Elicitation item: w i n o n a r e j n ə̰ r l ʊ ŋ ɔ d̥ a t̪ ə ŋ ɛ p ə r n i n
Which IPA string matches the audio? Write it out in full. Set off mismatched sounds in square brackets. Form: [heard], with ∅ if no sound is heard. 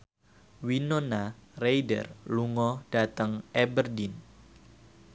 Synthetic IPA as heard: w i n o n a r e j [d] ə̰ r l [u] ŋ ɔ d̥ a t̪ ə ŋ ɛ [b] ə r [d] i n